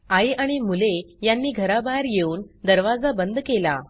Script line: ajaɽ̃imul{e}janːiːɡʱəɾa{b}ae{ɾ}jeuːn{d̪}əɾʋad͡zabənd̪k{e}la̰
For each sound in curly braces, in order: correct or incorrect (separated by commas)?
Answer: correct, correct, correct, correct, correct